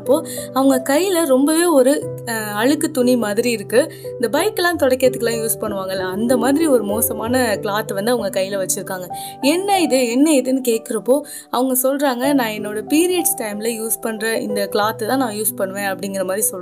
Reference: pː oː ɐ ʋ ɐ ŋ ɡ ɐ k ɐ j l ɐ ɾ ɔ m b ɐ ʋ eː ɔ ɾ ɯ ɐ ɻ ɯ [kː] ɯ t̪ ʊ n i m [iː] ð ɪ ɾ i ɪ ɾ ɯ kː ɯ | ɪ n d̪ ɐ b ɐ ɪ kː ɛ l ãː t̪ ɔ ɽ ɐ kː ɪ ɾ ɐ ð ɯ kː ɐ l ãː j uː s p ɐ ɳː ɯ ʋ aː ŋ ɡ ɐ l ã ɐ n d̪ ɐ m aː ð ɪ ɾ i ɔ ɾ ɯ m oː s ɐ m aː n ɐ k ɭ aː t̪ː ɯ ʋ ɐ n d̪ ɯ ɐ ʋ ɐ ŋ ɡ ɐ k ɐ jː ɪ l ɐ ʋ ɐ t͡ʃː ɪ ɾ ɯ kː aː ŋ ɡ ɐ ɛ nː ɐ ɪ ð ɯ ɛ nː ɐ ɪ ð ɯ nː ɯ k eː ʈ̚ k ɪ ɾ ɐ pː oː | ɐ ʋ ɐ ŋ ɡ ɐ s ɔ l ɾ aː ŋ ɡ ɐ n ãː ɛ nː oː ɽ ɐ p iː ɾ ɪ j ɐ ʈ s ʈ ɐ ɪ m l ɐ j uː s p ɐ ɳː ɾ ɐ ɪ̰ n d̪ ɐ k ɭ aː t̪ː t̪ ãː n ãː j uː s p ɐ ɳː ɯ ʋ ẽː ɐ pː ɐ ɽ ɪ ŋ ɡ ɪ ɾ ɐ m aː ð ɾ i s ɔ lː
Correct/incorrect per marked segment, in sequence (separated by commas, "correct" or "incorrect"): correct, incorrect